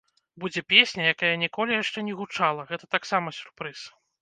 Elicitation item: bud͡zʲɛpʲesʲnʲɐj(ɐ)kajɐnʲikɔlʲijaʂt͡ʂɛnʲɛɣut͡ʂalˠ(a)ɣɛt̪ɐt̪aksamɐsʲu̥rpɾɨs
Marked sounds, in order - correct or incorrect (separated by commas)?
incorrect, incorrect